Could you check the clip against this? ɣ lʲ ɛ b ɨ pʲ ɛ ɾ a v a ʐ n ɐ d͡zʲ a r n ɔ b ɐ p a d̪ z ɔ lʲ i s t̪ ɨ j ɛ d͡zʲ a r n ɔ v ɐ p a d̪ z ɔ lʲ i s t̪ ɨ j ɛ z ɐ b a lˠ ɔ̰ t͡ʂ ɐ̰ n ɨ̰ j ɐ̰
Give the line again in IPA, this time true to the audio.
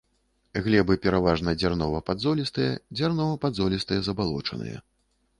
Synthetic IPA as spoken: ɣ lʲ ɛ b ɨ pʲ ɛ ɾ a v a ʐ n ɐ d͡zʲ a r n ɔ v ɐ p a d̪ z ɔ lʲ i s t̪ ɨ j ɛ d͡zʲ a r n ɔ v ɐ p a d̪ z ɔ lʲ i s t̪ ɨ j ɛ z ɐ b a lˠ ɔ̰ t͡ʂ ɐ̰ n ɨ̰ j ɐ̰